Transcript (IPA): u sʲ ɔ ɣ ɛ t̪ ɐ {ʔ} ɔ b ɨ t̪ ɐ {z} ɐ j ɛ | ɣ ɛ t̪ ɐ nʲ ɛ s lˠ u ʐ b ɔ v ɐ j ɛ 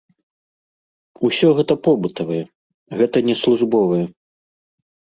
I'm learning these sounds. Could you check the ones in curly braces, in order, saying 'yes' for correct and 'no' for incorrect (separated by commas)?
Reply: no, no